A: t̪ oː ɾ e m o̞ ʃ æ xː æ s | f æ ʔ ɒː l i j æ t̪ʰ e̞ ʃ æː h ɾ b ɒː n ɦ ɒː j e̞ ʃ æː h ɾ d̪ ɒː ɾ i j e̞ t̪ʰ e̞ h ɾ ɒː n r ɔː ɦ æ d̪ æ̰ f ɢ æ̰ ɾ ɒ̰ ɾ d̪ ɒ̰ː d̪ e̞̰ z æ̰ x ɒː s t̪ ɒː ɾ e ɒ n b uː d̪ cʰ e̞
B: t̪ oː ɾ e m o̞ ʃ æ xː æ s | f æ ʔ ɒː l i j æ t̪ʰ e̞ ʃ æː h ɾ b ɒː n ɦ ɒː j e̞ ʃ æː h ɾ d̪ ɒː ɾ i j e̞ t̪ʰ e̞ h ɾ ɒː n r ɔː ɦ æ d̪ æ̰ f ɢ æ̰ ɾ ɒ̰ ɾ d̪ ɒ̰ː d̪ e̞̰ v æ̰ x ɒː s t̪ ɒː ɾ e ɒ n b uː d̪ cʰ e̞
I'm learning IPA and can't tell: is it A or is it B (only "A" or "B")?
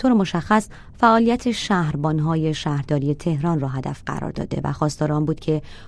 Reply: B